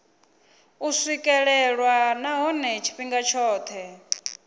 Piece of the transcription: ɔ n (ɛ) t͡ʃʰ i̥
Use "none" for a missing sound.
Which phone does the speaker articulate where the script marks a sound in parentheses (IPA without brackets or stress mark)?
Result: ɛ